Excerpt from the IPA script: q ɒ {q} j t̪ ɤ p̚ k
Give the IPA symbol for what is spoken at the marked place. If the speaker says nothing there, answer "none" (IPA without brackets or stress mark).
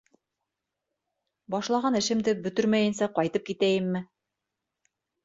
none